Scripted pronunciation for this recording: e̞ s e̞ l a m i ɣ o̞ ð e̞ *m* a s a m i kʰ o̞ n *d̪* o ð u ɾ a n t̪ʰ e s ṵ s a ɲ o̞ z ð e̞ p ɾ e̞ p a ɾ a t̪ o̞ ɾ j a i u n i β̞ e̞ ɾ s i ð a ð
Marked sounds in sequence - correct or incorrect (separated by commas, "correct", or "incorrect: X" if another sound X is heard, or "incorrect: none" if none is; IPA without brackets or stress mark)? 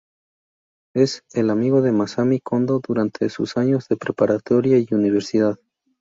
correct, correct